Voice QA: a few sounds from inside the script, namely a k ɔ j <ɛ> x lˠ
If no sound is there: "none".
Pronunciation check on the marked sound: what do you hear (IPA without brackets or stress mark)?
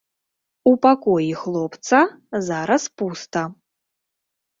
i